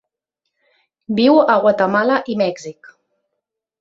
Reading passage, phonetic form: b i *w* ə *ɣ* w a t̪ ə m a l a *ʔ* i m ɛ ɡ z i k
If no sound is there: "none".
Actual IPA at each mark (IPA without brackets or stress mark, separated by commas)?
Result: w, ɣ, ʔ